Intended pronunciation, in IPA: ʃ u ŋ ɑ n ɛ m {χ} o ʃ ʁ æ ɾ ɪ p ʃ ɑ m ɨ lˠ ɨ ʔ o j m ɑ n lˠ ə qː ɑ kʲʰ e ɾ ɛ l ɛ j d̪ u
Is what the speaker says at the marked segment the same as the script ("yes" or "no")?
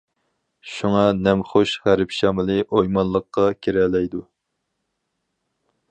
yes